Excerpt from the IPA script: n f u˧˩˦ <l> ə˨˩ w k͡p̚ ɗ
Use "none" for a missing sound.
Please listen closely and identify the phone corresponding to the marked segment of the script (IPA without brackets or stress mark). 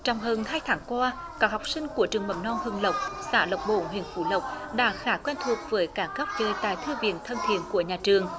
l